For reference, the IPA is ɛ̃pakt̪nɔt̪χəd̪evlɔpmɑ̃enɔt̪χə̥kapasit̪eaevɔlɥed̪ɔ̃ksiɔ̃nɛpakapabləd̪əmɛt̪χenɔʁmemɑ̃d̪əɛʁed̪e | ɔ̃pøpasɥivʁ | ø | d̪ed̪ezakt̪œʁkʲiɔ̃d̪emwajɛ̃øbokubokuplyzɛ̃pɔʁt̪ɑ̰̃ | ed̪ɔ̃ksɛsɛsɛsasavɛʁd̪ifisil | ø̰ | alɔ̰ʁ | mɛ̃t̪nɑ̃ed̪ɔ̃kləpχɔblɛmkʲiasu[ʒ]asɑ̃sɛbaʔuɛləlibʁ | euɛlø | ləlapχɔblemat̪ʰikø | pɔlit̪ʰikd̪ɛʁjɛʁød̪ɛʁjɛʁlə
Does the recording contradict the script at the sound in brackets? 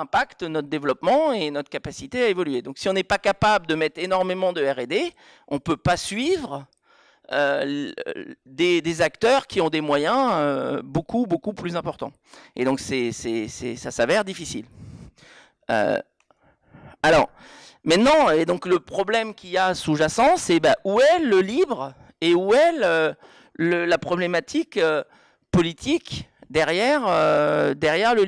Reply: no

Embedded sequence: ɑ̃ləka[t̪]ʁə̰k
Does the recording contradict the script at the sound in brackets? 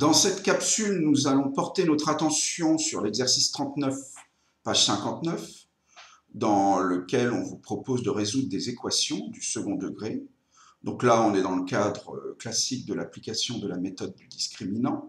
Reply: yes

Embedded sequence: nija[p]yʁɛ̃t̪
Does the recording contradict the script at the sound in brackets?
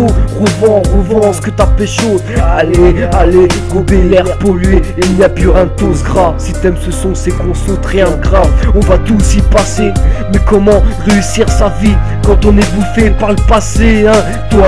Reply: no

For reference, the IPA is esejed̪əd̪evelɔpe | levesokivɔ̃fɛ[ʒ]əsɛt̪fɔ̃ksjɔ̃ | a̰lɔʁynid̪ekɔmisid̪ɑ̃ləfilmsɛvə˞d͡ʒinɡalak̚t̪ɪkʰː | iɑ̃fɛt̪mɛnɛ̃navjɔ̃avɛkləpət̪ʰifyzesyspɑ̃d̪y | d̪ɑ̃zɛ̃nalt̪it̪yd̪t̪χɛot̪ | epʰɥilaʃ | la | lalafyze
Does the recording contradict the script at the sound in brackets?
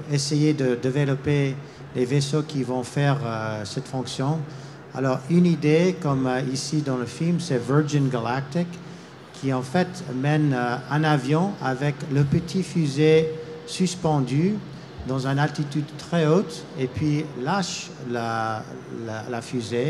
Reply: yes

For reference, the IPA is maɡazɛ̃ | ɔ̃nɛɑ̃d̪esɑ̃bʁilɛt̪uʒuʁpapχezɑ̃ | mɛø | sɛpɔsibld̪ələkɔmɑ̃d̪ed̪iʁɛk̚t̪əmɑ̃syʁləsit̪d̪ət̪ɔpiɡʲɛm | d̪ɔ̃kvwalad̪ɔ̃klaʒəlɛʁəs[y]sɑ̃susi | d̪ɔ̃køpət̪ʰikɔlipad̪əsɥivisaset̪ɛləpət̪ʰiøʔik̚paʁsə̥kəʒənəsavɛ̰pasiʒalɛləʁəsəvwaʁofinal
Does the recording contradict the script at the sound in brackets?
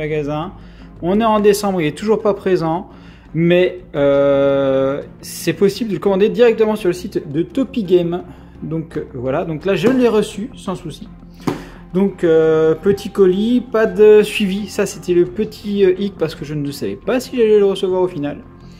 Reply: no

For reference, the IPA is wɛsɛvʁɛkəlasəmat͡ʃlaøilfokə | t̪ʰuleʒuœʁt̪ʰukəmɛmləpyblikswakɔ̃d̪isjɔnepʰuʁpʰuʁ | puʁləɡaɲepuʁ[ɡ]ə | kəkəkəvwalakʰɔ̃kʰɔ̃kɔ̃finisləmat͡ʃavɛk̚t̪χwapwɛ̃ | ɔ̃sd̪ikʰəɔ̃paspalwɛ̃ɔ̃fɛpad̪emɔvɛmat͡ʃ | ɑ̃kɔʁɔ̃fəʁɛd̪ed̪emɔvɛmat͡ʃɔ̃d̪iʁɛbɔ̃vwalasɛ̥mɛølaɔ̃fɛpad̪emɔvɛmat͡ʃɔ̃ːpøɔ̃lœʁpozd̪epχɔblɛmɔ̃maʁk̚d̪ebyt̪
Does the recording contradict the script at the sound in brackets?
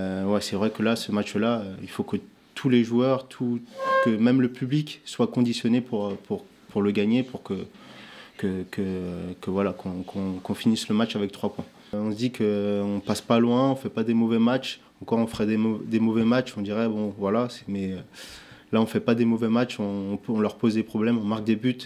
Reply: yes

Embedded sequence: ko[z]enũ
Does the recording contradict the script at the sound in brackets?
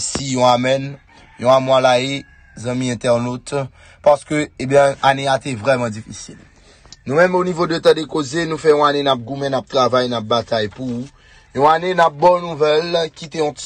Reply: no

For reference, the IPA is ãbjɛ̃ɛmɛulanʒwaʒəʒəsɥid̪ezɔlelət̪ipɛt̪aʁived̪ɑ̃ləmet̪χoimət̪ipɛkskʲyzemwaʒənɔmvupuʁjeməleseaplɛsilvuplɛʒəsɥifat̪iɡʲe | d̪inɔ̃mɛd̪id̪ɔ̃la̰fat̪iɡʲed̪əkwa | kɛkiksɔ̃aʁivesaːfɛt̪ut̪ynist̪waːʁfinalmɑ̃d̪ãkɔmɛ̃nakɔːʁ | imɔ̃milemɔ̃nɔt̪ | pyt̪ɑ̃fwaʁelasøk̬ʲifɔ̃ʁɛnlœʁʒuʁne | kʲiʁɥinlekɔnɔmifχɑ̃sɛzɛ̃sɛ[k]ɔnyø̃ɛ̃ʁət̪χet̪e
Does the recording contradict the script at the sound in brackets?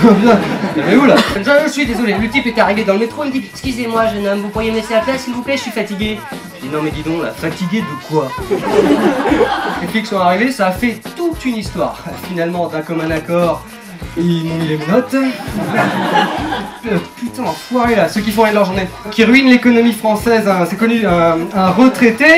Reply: no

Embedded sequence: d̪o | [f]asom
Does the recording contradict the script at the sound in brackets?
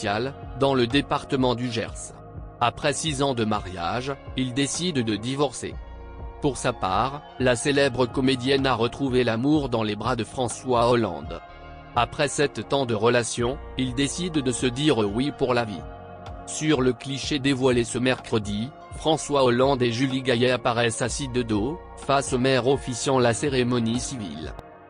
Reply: no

